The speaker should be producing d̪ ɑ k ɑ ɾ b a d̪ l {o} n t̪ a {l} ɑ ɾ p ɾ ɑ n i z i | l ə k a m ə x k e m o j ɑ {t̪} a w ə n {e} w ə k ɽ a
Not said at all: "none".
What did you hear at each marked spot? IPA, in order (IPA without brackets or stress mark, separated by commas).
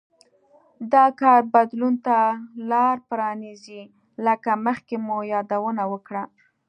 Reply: u, l, d̪, a